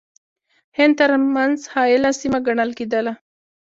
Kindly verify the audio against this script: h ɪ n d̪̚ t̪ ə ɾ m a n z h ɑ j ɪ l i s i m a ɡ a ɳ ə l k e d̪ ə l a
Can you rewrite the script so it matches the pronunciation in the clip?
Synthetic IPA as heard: h ɪ n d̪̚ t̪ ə ɾ m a n z h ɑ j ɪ l a s i m a ɡ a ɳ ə l k e d̪ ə l a

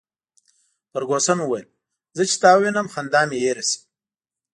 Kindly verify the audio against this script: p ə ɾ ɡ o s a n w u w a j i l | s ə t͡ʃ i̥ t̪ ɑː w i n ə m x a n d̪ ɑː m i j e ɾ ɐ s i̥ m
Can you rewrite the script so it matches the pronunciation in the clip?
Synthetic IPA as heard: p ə ɾ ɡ o s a n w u w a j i l | z ə t͡ʃ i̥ t̪ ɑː w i n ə m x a n d̪ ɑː m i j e ɾ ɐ s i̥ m

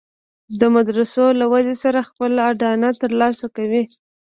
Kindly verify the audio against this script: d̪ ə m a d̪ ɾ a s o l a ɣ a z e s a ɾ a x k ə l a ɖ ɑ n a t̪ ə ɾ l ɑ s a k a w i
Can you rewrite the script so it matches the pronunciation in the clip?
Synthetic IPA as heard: d̪ ə m a d̪ ɾ a s o l a w a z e s a ɾ a x p ə l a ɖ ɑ n a t̪ ə ɾ l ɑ s a k a w i

